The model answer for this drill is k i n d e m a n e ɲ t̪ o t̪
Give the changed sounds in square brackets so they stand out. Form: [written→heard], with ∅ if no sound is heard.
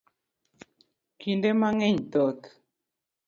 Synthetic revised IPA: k i n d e m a [n→ŋ] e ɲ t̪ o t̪